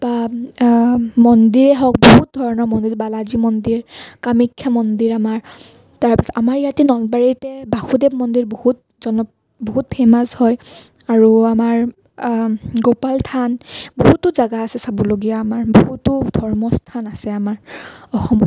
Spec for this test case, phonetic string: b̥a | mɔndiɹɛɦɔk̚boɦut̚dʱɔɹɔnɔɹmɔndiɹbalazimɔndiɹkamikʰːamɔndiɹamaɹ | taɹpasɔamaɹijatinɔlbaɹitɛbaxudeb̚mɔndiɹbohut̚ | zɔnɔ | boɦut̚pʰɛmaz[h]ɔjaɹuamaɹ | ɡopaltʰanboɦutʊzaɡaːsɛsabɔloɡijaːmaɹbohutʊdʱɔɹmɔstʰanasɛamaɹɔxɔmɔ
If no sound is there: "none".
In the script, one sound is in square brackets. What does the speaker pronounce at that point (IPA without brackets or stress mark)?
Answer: h